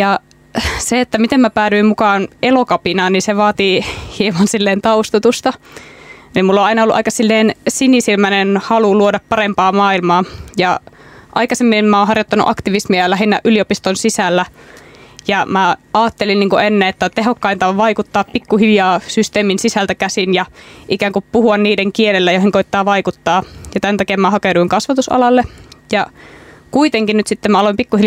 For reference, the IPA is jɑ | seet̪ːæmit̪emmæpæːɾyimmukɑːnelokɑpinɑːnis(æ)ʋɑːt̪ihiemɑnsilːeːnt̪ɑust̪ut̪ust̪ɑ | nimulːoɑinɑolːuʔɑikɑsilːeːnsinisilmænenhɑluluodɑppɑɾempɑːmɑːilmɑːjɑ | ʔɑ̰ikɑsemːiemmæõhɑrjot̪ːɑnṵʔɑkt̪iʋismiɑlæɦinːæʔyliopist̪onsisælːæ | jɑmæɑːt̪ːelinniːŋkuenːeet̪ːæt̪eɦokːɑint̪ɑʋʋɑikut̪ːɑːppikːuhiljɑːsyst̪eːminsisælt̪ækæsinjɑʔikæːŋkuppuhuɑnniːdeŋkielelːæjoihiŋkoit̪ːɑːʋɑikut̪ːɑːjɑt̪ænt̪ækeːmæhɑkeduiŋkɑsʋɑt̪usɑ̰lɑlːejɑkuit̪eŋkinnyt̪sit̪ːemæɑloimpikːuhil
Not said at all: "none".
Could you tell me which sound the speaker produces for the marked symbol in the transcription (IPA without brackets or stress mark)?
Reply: e